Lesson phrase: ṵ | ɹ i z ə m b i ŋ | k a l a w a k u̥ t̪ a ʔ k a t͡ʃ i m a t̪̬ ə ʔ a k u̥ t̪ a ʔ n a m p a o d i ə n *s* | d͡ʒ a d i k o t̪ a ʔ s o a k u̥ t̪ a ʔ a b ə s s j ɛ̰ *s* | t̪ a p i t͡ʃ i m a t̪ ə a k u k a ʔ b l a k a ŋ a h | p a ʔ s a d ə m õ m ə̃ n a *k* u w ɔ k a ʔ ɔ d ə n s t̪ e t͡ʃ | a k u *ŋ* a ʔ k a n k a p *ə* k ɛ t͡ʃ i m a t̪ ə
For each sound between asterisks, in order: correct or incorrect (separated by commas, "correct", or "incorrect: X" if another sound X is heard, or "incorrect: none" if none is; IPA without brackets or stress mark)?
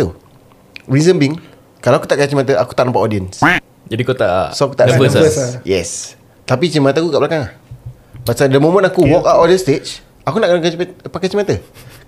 correct, correct, correct, incorrect: n, incorrect: a